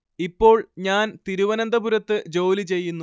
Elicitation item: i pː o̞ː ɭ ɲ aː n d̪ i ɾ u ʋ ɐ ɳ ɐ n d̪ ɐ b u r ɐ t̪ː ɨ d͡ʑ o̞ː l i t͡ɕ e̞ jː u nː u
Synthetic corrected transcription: i pː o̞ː ɭ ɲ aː n t̪ i ɾ u ʋ ɐ n ɐ n d̪ ɐ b u ɾ ɐ t̪ː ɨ d͡ʑ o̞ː l i t͡ɕ e̞ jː u nː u